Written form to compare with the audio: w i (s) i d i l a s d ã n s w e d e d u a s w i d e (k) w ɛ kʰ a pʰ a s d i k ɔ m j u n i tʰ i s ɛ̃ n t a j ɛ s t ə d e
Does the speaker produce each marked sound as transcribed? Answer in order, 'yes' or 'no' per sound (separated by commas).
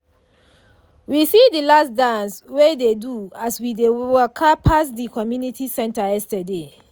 yes, no